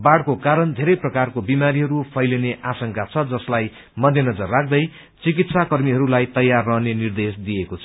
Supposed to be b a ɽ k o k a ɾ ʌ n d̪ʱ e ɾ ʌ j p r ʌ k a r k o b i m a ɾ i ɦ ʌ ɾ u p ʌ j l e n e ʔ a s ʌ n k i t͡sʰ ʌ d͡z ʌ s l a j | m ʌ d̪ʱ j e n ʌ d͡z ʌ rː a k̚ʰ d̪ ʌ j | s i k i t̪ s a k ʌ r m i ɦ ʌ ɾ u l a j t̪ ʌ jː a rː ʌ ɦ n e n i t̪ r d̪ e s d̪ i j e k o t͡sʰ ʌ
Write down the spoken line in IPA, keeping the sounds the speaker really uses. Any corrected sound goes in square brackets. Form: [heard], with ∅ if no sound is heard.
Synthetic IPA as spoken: b a ɽ k o k a ɾ ʌ n d̪ʱ e ɾ ʌ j p r ʌ k a r k o b i m a ɾ i ɦ ʌ ɾ u [pʰ] ʌ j l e n e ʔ a s ʌ [ŋ] k [a] t͡sʰ ʌ d͡z ʌ s l a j | m ʌ d̪ʱ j e n ʌ d͡z ʌ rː a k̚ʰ d̪ ʌ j | [t͡s] i k i t̪ s a k ʌ r m i ɦ ʌ ɾ u l a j t̪ ʌ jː a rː ʌ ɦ n e n i [∅] r d̪ e s d̪ i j e k o t͡sʰ ʌ